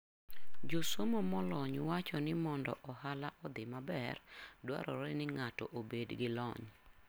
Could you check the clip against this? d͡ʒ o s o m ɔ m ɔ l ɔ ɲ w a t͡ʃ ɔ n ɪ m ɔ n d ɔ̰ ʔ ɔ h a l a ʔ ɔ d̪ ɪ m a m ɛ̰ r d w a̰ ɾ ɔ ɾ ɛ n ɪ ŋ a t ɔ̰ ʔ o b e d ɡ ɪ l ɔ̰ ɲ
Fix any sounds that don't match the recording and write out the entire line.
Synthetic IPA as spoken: d͡ʒ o s o m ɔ m ɔ l ɔ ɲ w a t͡ʃ ɔ n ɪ m ɔ n d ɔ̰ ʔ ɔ h a l a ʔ ɔ d̪ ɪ m a b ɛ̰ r d w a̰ ɾ ɔ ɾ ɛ n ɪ ŋ a t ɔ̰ ʔ o b e d ɡ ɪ l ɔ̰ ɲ